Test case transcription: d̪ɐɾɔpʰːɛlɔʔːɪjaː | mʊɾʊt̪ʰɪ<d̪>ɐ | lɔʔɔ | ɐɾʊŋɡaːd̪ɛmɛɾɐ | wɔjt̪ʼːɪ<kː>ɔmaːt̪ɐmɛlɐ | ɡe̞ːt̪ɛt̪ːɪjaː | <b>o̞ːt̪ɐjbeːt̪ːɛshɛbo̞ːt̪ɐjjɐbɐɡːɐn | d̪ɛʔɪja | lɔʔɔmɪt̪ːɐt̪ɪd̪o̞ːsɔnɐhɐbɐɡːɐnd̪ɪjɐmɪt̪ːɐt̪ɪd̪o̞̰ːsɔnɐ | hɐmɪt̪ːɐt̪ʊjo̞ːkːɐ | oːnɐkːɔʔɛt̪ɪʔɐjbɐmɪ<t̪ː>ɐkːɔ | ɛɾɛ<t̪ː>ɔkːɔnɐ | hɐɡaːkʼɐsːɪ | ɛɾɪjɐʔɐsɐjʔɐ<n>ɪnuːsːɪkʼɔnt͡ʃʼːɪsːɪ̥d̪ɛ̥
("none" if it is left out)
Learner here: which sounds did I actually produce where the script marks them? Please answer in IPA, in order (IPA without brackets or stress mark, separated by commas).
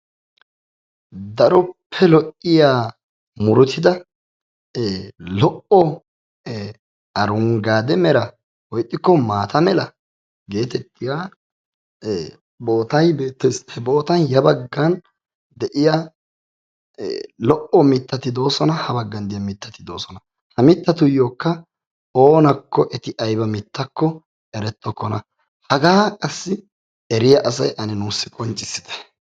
d̪, kː, b, t̪ː, t̪ː, n